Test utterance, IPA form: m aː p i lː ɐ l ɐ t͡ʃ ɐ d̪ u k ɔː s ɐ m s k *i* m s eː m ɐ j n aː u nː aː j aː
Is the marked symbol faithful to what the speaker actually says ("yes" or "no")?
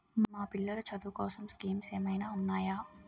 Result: no